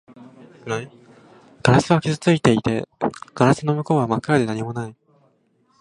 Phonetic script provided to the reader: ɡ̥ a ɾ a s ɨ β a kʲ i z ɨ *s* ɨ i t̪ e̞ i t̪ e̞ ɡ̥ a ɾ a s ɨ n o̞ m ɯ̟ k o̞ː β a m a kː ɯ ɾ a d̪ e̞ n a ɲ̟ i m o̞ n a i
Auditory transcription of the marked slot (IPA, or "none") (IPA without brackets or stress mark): t͡s